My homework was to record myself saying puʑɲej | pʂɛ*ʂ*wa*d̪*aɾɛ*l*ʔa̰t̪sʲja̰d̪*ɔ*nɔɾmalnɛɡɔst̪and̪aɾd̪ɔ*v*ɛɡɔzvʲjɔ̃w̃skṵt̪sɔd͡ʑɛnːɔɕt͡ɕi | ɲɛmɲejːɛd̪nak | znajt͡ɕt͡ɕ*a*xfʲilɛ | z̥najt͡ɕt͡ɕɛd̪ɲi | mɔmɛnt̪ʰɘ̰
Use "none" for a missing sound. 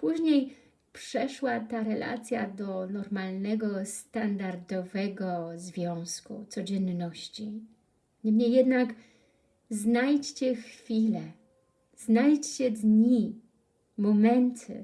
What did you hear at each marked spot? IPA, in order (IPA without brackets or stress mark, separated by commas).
ʂ, t̪, l, ɔ, v, ɛ